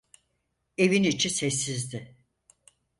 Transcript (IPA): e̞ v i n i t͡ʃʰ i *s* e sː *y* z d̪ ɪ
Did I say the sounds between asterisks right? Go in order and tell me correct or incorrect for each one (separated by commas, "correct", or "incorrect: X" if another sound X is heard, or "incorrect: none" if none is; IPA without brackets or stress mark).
correct, incorrect: i